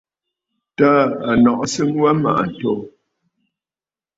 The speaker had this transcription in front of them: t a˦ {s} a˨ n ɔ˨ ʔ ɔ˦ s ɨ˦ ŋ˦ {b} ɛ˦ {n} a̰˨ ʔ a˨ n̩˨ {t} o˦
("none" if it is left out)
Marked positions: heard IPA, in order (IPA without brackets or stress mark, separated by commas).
none, w, m, t